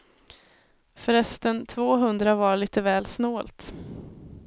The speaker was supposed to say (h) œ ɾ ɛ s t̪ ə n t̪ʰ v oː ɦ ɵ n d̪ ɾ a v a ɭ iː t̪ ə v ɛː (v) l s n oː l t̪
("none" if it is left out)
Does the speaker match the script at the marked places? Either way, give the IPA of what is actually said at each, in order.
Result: f, none

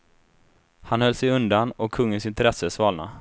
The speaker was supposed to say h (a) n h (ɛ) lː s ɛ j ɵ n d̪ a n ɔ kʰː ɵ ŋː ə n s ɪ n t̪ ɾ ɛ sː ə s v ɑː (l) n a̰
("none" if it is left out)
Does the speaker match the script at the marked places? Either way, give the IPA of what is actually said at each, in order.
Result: a, œ, l

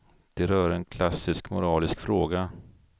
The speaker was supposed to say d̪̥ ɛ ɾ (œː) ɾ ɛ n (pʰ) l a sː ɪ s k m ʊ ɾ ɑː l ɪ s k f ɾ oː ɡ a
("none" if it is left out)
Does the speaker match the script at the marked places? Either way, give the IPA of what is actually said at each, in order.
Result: œː, kʰ

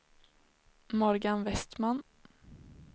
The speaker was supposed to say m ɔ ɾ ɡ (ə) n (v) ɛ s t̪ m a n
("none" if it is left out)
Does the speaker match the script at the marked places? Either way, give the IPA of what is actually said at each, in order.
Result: a, v

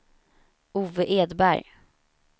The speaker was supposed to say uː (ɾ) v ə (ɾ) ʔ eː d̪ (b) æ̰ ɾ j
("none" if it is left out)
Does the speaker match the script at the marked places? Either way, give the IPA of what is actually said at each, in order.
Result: none, none, b

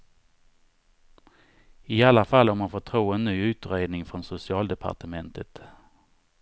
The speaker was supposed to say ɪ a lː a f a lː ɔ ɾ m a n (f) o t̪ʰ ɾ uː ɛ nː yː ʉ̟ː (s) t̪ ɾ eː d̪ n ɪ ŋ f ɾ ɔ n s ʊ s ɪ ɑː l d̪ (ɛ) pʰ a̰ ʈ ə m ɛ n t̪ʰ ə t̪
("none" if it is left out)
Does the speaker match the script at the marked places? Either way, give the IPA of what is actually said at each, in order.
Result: f, none, ɛ

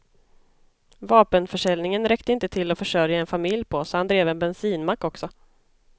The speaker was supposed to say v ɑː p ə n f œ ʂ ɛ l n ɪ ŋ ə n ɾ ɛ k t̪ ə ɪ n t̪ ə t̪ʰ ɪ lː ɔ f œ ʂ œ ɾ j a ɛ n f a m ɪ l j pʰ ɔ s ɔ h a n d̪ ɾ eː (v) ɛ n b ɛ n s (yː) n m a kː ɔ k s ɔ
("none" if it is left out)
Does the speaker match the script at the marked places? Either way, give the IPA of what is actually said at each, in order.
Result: v, iː

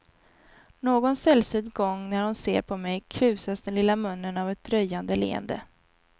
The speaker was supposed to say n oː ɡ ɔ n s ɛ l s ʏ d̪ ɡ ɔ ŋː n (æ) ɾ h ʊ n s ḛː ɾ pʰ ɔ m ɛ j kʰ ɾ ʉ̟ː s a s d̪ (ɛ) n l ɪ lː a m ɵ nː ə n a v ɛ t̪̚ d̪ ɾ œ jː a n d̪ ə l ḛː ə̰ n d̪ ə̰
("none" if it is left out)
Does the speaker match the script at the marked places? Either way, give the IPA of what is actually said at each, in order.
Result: æ, ɛ

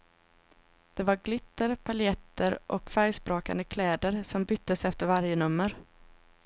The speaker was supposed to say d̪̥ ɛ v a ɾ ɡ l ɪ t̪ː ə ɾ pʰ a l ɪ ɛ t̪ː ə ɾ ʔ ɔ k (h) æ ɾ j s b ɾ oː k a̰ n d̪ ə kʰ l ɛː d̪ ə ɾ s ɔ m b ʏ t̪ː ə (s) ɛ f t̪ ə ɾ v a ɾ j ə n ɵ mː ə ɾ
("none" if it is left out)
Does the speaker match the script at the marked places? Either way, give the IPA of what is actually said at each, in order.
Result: f, s

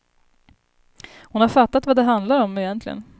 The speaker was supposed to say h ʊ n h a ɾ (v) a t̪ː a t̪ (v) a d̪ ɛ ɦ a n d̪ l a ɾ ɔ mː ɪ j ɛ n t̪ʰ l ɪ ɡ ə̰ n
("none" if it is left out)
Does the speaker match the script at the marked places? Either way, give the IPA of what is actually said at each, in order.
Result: f, v

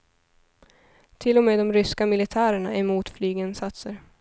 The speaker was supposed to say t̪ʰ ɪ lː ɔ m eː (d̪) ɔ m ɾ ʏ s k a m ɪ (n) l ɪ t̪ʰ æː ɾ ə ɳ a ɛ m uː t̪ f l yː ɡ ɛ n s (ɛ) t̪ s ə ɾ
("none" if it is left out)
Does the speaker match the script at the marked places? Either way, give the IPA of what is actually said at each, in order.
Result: d̪, none, a

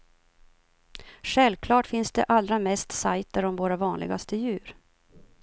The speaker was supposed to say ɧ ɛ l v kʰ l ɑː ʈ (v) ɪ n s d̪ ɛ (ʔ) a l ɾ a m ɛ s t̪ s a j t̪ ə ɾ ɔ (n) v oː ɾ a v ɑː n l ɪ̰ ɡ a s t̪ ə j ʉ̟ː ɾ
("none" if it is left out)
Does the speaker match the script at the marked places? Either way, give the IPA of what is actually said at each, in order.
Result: f, ʔ, m

